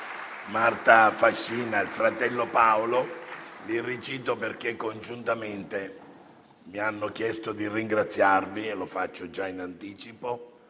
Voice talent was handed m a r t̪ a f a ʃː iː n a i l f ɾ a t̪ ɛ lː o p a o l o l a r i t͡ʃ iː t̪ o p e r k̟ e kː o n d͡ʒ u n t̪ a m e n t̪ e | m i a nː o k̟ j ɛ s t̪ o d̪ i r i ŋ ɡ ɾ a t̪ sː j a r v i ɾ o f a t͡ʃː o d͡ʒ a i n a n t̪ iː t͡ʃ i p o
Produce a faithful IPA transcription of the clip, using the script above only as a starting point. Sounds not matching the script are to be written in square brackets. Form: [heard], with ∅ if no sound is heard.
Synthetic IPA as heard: m a r t̪ a f a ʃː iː n a i l f ɾ a t̪ ɛ lː o p a o l o l [i] r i t͡ʃ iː t̪ o p e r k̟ e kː o n d͡ʒ u n t̪ a m e n t̪ e | m i a nː o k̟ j ɛ s t̪ o d̪ i r i ŋ ɡ ɾ a t̪ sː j a r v i [l] o f a t͡ʃː o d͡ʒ a i n a n t̪ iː t͡ʃ i p o